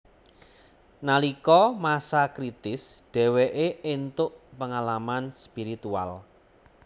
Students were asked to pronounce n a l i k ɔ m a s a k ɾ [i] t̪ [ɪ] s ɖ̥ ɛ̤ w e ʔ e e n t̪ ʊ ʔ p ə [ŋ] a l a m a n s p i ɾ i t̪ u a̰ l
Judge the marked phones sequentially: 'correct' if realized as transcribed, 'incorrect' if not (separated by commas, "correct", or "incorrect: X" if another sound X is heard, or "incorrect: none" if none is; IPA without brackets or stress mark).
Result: correct, correct, correct